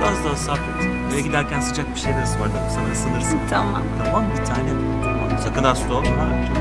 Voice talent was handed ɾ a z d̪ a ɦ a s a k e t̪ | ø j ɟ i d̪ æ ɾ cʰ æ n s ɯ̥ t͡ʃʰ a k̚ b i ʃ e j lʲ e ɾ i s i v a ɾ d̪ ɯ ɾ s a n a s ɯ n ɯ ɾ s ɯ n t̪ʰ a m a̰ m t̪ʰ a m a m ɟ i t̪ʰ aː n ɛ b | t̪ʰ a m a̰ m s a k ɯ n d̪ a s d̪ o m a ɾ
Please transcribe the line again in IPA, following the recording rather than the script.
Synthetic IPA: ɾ a z d̪ a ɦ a s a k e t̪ | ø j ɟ i d̪ æ ɾ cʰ æ n s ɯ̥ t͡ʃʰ a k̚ b i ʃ e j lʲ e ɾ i s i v a ɾ d̪ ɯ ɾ s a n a s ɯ n ɯ ɾ s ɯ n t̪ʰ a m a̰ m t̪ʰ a m a m b i t̪ʰ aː n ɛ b | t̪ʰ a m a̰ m s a k ɯ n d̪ a s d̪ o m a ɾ